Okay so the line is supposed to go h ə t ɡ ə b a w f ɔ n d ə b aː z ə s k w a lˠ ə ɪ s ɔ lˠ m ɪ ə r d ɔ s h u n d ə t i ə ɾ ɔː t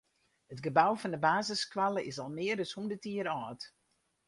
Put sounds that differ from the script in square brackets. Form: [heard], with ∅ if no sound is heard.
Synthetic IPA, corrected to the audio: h ə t ɡ ə b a w f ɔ n d ə b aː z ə s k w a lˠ ə ɪ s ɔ lˠ m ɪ ə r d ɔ s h u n d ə t i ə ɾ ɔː t